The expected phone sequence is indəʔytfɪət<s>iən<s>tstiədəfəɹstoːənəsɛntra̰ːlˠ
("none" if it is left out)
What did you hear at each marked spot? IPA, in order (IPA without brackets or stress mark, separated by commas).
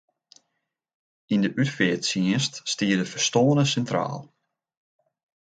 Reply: s, s